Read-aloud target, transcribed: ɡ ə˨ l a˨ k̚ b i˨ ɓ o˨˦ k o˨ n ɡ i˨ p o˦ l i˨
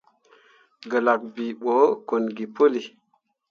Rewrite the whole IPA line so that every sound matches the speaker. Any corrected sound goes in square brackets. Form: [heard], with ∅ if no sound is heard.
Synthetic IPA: ɡ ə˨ l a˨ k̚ b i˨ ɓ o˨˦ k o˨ n ɡ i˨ p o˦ l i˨